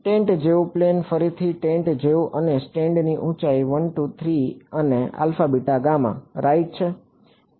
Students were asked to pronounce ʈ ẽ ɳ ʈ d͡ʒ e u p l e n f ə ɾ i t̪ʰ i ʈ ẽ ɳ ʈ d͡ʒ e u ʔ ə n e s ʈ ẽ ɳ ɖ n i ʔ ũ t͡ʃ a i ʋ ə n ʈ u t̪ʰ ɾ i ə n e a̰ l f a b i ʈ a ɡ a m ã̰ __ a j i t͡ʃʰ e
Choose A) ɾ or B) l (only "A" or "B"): A